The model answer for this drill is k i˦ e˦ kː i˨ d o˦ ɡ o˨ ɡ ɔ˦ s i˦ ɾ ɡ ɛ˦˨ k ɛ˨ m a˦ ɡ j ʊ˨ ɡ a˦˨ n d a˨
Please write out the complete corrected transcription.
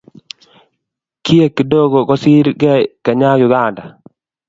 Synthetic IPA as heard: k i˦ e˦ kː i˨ d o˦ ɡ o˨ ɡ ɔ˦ s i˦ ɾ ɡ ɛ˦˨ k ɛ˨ ɲ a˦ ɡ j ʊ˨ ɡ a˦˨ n d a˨